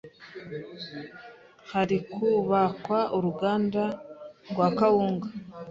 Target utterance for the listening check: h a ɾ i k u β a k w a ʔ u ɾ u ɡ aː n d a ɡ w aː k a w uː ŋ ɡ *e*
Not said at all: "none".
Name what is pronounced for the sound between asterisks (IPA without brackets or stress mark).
a